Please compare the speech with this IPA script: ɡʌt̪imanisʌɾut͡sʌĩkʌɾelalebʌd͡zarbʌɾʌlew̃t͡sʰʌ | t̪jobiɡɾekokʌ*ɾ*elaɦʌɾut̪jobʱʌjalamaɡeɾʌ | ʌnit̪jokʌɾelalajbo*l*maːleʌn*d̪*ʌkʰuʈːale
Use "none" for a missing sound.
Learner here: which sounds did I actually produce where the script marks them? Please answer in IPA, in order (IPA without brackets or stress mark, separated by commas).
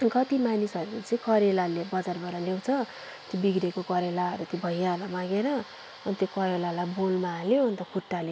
ɾ, l, t̪